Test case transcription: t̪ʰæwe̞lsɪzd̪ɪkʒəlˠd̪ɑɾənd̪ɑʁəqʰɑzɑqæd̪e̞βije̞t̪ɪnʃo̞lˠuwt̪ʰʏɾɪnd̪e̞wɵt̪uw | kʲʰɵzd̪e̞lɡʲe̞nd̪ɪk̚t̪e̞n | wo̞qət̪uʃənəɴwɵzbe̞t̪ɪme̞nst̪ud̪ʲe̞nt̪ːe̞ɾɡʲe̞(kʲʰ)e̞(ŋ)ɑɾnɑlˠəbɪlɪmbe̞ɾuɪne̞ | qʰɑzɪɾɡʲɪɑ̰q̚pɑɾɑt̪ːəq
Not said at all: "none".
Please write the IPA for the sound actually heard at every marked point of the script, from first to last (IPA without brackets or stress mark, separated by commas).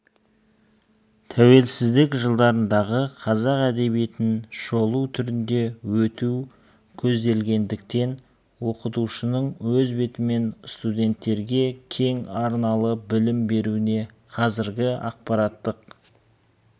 kʲʰ, ŋ